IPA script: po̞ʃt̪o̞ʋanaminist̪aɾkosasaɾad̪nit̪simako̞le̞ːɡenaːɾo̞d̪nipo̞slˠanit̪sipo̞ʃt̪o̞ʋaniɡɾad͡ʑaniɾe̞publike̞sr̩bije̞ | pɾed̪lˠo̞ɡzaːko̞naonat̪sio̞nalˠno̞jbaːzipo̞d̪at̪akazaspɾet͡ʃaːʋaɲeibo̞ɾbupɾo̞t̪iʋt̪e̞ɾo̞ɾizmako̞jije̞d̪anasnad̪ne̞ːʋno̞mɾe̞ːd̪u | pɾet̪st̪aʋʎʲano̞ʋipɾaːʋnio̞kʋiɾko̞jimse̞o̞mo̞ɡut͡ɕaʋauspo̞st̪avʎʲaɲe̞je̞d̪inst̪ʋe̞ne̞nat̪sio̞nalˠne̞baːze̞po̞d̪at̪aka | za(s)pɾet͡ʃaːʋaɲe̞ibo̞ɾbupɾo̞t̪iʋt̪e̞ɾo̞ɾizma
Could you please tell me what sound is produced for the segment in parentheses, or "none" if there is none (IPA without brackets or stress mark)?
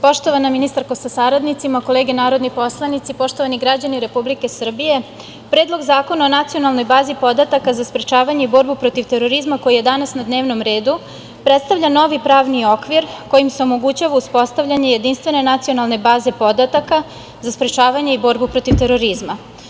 s